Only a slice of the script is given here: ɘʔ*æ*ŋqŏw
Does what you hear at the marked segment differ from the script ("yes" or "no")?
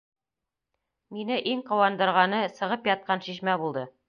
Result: yes